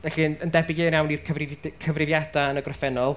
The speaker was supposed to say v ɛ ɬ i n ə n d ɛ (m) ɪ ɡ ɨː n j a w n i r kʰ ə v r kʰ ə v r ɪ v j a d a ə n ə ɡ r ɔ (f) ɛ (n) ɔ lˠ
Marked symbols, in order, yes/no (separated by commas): no, yes, yes